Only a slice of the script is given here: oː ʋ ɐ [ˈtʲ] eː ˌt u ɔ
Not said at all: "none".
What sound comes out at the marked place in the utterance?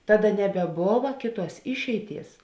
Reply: kʲ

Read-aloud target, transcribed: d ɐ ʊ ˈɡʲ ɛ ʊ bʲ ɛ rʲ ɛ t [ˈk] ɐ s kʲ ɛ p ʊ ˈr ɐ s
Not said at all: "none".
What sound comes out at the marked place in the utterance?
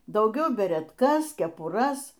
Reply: k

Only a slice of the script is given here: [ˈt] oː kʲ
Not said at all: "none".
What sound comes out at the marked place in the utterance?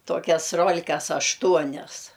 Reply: t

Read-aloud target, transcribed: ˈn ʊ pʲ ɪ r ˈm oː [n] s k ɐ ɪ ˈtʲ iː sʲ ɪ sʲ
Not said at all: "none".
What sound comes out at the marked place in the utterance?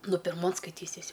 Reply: n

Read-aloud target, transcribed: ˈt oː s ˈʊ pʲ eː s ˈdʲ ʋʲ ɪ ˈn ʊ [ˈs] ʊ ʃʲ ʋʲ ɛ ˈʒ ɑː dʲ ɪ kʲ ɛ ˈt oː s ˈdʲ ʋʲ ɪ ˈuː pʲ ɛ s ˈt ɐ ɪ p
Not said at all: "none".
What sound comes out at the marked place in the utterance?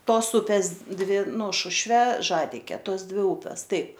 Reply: ʃ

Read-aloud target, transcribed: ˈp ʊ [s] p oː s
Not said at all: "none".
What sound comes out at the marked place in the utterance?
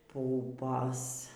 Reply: none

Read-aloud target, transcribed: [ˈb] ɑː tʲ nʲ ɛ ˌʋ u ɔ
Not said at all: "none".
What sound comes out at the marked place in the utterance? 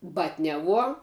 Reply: b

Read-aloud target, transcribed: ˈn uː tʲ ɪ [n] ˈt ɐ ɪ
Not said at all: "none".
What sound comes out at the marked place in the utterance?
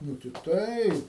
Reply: none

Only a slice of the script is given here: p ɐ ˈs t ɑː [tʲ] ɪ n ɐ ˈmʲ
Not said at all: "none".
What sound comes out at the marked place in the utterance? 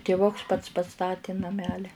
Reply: tʲ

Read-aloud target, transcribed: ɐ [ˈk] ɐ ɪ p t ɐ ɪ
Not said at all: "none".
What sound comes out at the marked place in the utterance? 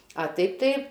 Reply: t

